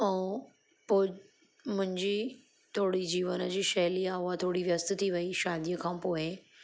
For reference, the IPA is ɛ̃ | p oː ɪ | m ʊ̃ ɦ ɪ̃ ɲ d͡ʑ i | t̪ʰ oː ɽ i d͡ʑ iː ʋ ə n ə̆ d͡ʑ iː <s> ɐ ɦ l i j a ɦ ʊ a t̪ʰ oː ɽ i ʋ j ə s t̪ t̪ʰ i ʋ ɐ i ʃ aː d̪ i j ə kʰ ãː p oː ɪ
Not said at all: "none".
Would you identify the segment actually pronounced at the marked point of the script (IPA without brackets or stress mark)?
ʃ